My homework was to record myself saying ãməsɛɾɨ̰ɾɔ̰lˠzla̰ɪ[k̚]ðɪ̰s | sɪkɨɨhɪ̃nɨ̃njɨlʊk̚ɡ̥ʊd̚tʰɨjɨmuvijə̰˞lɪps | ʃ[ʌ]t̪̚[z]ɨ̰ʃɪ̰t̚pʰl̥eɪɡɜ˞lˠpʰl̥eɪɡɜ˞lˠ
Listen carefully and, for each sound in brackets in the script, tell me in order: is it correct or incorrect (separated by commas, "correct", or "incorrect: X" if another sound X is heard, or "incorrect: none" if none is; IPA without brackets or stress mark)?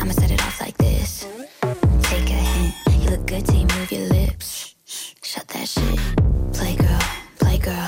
correct, correct, incorrect: ð